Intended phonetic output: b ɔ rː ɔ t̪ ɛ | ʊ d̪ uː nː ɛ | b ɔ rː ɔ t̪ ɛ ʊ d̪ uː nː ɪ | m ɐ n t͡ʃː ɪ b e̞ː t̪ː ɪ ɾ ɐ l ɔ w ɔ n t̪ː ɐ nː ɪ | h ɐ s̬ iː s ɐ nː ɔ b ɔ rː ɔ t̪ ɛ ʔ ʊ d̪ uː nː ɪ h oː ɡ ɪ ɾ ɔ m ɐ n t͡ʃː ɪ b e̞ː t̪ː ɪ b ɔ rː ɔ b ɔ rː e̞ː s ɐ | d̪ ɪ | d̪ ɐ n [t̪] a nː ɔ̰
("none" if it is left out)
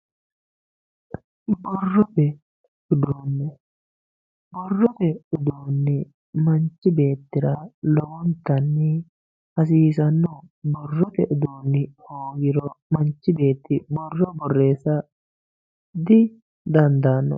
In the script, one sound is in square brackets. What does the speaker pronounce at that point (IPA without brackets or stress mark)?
d̪